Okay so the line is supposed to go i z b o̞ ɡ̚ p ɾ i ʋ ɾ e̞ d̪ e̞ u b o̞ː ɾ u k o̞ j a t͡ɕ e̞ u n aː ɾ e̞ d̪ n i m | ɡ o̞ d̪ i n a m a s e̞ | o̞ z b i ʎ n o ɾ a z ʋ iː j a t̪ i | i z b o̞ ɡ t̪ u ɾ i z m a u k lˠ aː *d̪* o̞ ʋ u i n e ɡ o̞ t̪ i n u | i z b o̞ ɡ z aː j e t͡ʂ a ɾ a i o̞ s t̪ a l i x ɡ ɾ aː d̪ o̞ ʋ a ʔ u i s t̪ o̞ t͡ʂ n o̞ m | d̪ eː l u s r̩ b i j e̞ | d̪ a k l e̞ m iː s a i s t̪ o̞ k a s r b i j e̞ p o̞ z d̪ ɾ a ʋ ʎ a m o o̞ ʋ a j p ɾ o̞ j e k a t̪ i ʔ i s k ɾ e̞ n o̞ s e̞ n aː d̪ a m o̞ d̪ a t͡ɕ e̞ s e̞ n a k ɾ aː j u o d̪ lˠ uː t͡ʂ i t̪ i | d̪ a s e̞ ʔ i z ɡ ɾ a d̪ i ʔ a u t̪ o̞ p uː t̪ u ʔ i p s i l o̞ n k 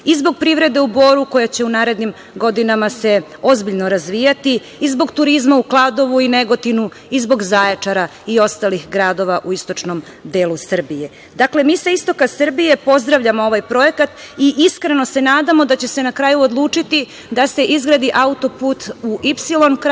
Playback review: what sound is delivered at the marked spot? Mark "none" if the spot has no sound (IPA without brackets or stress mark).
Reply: d̪